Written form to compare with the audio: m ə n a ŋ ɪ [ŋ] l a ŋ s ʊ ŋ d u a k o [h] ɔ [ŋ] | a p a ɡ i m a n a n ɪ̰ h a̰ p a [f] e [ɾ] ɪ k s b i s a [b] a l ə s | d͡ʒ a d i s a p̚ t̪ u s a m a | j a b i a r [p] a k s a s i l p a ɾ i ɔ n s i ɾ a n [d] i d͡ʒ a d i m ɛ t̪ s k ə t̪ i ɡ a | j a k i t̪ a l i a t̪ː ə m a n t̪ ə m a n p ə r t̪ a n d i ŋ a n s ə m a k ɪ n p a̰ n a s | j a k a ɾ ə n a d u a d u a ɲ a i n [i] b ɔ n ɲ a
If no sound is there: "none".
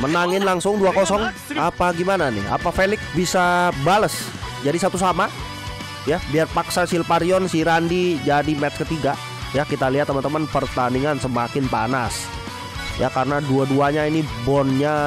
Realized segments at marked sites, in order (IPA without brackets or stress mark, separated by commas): n, s, ŋ, f, l, b, p, d, i